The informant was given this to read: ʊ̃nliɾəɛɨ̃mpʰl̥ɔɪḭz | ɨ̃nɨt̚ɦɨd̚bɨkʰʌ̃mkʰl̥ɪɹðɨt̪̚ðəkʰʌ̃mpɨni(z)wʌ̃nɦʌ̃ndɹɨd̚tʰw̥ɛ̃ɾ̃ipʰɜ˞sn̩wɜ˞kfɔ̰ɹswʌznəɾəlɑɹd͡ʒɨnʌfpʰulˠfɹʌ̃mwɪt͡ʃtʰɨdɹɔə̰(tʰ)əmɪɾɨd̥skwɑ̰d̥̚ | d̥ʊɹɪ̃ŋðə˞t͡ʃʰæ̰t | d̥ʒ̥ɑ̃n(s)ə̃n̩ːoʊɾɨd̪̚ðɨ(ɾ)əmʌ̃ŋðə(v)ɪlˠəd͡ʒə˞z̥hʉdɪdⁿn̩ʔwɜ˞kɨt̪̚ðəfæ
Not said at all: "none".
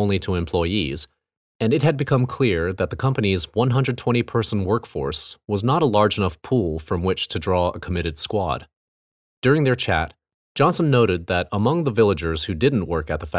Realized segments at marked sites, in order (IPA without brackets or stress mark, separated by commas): z, kʰ, s, ɾ, v